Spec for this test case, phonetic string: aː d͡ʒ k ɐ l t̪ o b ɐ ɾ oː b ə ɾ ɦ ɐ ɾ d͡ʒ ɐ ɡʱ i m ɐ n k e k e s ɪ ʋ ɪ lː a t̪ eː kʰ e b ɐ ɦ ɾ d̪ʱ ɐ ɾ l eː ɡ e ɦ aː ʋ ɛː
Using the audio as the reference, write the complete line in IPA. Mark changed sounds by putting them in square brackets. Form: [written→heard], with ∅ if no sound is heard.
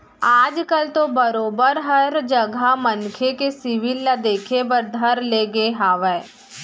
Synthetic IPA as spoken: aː d͡ʒ k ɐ l t̪ o b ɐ ɾ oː b ə ɾ ɦ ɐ ɾ d͡ʒ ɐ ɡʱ [i→a] m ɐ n [k→kʰ] e k e s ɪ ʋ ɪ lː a [t̪→d̪] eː kʰ e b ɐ [ɦ→∅] ɾ d̪ʱ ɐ ɾ l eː ɡ e ɦ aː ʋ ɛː